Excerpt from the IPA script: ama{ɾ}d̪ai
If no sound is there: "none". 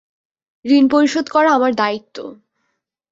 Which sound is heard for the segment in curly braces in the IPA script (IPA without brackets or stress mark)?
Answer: ɾ